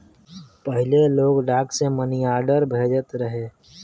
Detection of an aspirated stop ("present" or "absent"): absent